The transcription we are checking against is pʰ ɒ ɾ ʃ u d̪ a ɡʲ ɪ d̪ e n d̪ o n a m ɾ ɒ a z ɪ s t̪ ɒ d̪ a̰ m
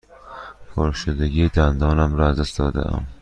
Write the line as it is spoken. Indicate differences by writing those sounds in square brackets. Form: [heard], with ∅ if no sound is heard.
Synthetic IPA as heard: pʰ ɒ ɾ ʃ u d̪ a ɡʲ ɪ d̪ [a] n d̪ [ɒ] n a m ɾ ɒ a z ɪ s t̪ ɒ d̪ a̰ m